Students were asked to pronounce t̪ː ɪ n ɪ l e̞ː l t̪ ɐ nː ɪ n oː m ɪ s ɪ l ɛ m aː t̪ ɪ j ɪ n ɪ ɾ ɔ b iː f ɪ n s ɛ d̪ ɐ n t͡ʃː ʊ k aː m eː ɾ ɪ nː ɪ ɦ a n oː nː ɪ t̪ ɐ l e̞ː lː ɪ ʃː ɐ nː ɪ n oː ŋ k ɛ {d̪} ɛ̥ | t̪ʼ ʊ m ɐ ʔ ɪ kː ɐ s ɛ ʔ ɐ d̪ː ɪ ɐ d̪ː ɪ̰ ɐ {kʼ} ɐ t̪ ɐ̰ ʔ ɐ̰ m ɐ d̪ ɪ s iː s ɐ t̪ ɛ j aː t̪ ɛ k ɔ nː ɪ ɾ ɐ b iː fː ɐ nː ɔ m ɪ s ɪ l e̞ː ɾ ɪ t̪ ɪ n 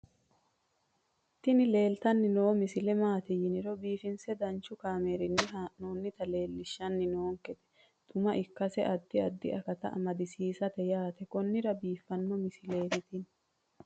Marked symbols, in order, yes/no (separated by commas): no, no